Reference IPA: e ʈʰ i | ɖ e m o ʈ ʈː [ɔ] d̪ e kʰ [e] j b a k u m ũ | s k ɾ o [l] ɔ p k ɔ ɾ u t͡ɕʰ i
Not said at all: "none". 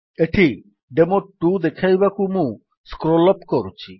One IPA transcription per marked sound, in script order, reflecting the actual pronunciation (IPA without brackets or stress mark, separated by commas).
u, a, l